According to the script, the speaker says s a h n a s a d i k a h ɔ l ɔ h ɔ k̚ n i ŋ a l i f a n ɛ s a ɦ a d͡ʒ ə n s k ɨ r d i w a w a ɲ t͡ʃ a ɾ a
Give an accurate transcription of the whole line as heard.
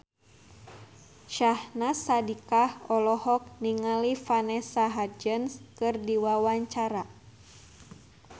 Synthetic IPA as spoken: ʃ a h n a s a d i k a h ɔ l ɔ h ɔ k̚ n i ŋ a l i f a n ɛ s a ɦ a d͡ʒ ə n s k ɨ r d i w a w a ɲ t͡ʃ a ɾ a